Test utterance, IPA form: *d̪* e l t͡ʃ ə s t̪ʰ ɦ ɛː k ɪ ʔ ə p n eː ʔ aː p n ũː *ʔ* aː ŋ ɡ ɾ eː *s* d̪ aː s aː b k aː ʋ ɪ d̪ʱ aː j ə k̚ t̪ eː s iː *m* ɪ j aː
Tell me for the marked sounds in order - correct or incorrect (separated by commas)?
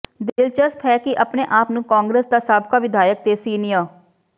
correct, incorrect, correct, incorrect